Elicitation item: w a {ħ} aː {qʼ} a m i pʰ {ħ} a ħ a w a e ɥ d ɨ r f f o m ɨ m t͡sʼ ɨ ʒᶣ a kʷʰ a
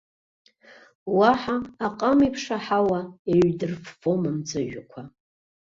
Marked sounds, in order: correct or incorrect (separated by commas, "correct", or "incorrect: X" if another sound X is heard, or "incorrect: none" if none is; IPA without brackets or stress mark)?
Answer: correct, correct, incorrect: ʂ